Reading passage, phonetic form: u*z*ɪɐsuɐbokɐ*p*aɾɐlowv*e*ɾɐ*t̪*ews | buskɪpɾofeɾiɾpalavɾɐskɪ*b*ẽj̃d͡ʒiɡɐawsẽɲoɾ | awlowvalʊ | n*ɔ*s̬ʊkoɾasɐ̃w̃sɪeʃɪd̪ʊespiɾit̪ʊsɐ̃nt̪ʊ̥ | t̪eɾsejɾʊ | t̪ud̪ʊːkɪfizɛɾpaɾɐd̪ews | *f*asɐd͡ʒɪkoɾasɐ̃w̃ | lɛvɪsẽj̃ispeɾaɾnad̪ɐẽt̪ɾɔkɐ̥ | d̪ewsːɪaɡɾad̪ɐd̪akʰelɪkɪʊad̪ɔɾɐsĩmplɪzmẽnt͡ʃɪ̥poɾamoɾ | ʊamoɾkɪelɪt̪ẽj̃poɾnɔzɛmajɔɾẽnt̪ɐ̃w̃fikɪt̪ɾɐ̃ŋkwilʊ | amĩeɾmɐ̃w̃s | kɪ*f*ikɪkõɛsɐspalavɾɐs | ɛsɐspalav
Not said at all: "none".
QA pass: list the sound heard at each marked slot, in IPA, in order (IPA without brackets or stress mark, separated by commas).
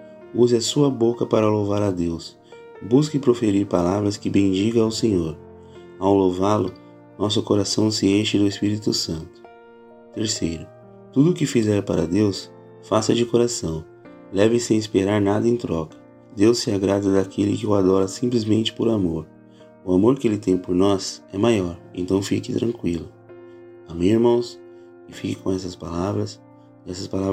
z, p, a, d̪, b, ɔ, f, f